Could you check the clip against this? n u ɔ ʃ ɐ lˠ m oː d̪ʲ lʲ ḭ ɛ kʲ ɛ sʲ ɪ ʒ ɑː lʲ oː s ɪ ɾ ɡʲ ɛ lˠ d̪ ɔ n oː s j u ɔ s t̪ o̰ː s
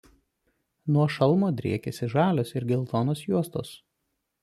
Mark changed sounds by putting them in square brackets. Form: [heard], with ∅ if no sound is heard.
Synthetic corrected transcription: n u ɔ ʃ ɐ lˠ m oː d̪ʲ [ɾʲ] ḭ ɛ kʲ ɛ sʲ ɪ ʒ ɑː lʲ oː s ɪ ɾ ɡʲ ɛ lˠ [t̪] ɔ n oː s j u ɔ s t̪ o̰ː s

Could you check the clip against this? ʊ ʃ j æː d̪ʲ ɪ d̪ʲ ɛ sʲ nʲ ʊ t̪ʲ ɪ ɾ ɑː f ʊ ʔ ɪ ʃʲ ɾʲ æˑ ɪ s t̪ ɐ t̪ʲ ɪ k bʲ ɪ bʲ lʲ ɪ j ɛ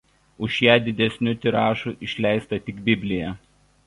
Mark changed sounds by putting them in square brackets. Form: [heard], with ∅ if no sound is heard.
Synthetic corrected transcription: ʊ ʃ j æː d̪ʲ ɪ d̪ʲ ɛ sʲ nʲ ʊ t̪ʲ ɪ ɾ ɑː [ʃ] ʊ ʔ ɪ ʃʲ [lʲ] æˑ ɪ s t̪ ɐ t̪ʲ ɪ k bʲ ɪ bʲ lʲ ɪ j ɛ

